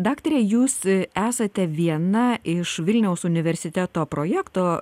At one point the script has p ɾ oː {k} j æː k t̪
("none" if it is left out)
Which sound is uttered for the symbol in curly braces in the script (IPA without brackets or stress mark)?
none